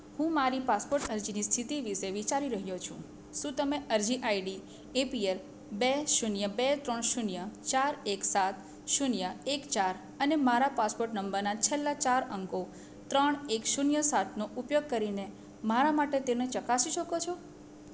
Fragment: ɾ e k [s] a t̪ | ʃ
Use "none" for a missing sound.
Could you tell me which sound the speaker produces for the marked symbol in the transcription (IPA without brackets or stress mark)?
s